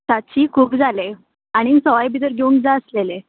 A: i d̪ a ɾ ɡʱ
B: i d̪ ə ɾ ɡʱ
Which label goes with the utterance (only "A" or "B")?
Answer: B